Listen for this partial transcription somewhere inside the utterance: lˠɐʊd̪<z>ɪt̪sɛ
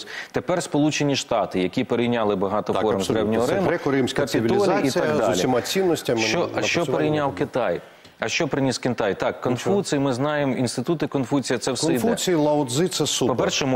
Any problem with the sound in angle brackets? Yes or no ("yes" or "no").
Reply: no